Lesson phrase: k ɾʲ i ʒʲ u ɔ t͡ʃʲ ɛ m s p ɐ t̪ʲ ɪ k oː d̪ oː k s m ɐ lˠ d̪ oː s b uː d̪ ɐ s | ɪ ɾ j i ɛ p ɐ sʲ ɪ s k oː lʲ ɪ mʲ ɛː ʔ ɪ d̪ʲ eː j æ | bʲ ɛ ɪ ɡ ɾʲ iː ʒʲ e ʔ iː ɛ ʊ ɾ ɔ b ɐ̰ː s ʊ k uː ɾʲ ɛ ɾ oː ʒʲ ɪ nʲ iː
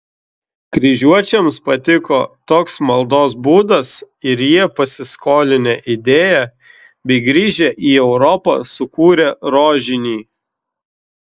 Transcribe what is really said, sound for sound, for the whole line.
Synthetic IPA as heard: k ɾʲ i ʒʲ u ɔ t͡ʃʲ ɛ m s p ɐ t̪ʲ ɪ k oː t̪ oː k s m ɐ lˠ d̪ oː s b uː d̪ ɐ s | ɪ ɾ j i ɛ p ɐ sʲ ɪ s k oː lʲ ɪ nʲ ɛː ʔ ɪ d̪ʲ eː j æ | bʲ ɛ ɪ ɡ ɾʲ iː ʒʲ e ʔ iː ɛ ʊ ɾ ɔ p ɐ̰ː s ʊ k uː ɾʲ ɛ ɾ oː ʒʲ ɪ nʲ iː

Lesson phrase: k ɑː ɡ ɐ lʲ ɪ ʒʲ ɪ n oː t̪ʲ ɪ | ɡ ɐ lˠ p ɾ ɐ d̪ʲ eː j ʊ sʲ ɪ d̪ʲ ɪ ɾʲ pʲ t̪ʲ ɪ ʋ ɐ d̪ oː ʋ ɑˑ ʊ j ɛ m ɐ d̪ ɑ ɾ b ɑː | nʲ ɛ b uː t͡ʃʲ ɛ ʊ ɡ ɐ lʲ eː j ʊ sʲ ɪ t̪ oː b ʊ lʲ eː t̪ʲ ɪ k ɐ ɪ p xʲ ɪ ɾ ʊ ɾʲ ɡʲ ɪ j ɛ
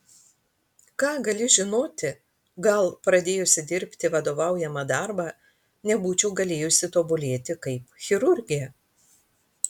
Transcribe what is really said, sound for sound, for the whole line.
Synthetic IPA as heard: k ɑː ɡ ɐ lʲ ɪ ʒʲ ɪ n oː t̪ʲ ɪ | ɡ ɐ lˠ p ɾ ɐ d̪ʲ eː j ʊ sʲ ɪ d̪ʲ ɪ ɾʲ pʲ t̪ʲ ɪ ʋ ɐ d̪ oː ʋ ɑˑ ʊ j ɛ m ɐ d̪ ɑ ɾ b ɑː | nʲ ɛ b uː t͡ʃʲ ɛ ʊ ɡ ɐ lʲ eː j ʊ sʲ ɪ t̪ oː b ʊ lʲ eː t̪ʲ ɪ k ɐ ɪ p xʲ ɪ ɾ ʊ ɾʲ ɡʲ ɪ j ɛ

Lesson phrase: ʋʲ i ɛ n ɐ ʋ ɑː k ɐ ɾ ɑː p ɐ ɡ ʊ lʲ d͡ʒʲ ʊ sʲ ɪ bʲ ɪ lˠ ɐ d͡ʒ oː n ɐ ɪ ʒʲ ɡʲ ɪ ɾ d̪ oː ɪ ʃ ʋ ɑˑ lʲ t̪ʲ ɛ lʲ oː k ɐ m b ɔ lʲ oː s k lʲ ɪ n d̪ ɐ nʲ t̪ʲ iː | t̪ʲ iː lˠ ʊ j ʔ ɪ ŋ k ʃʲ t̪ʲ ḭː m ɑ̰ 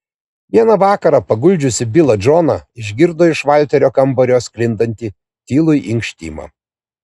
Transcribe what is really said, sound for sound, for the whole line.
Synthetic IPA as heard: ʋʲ i ɛ n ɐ ʋ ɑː k ɐ ɾ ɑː p ɐ ɡ ʊ lʲ d͡ʒʲ ʊ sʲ ɪ bʲ ɪ lˠ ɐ d͡ʒ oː n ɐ ɪ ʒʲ ɡʲ ɪ ɾ d̪ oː ɪ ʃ ʋ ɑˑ lʲ t̪ʲ ɛ ɾʲ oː k ɐ m b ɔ ɾʲ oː s k lʲ ɪ n d̪ ɐ nʲ t̪ʲ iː | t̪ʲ iː lˠ ʊ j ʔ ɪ ŋ k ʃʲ t̪ʲ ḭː m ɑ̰

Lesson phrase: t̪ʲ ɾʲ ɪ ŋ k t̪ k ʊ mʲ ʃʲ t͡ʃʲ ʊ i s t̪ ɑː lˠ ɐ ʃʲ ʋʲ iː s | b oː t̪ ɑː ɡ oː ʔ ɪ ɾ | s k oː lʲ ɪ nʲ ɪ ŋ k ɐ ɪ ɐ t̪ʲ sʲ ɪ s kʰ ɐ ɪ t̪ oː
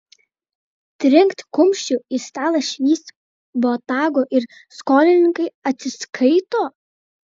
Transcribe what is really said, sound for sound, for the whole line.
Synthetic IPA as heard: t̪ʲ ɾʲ ɪ ŋ k t̪ k ʊ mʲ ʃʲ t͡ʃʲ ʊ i s t̪ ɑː lˠ ɐ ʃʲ ʋʲ iː s | b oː t̪ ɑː ɡ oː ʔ ɪ ɾ | s k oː lʲ ɪ nʲ ɪ ŋ k ɐ ɪ ɐ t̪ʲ sʲ ɪ s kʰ ɐ ɪ t̪ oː

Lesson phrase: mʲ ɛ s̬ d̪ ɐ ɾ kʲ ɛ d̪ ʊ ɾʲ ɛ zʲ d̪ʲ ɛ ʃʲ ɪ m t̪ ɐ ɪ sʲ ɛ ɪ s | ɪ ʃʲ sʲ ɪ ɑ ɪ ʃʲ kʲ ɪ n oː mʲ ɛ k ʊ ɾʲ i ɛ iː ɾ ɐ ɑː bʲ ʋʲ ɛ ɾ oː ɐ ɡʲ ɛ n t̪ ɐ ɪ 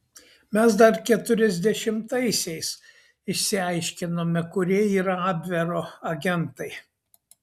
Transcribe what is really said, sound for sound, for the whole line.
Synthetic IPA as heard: mʲ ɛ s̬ d̪ ɐ ɾ kʲ ɛ t̪ ʊ ɾʲ ɛ zʲ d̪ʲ ɛ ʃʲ ɪ m t̪ ɐ ɪ sʲ ɛ ɪ s | ɪ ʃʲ sʲ ɪ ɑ ɪ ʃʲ kʲ ɪ n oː mʲ ɛ k ʊ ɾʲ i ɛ iː ɾ ɐ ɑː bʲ ʋʲ ɛ ɾ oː ɐ ɡʲ ɛ n t̪ ɐ ɪ

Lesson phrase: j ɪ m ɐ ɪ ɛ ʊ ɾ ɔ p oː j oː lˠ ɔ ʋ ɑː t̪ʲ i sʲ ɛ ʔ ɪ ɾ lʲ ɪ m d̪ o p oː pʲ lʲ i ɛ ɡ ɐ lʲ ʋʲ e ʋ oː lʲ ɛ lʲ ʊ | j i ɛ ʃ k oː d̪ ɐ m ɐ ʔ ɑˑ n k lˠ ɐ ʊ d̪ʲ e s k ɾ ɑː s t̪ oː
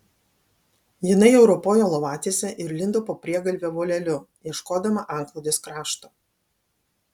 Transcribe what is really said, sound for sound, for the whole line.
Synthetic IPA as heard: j ɪ n ɐ ɪ ɛ ʊ ɾ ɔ p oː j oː lˠ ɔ ʋ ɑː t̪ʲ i sʲ ɛ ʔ ɪ ɾ lʲ ɪ n d̪ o p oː pʲ ɾʲ i ɛ ɡ ɐ lʲ ʋʲ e ʋ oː lʲ ɛ lʲ ʊ | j i ɛ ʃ k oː d̪ ɐ m ɐ ʔ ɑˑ ŋ k lˠ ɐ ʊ d̪ʲ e s k ɾ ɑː ʃ t̪ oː

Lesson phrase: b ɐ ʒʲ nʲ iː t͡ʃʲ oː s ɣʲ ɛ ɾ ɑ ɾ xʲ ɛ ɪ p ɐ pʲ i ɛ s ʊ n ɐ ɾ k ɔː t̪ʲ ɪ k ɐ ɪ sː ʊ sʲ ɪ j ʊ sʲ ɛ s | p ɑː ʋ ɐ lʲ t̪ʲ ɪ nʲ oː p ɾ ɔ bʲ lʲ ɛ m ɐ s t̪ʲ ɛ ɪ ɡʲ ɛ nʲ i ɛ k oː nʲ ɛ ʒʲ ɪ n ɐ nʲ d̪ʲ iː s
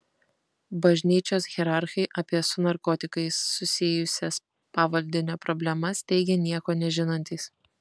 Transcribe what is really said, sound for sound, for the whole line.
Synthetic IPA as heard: b ɐ ʒʲ nʲ iː t͡ʃʲ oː s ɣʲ ɛ ɾ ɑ ɾ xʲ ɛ ɪ ʔ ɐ pʲ i ɛ s ʊ n ɐ ɾ k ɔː t̪ʲ ɪ k ɐ ɪ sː ʊ sʲ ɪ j ʊ sʲ ɛ s | p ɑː ʋ ɐ lʲ d̪ʲ ɪ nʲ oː p ɾ ɔ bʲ lʲ ɛ m ɐ s t̪ʲ ɛ ɪ ɡʲ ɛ nʲ i ɛ k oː nʲ ɛ ʒʲ ɪ n ɐ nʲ t̪ʲ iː s

